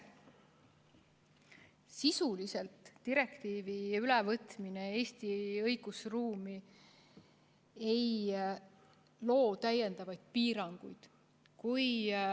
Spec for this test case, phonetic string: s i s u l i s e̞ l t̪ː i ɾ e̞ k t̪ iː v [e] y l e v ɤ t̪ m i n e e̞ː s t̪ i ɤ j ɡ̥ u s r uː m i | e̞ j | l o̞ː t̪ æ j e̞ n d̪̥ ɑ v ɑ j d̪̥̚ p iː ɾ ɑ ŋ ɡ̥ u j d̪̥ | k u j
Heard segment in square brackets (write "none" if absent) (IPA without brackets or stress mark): i